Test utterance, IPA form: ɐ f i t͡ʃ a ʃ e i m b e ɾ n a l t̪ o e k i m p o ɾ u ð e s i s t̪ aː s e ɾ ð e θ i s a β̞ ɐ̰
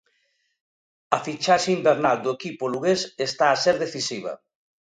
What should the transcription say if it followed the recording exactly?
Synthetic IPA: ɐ f i t͡ʃ a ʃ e i m b e ɾ n a l d̪ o e k i p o l u ɣ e s e s t̪ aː s e ɾ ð e θ i s i β̞ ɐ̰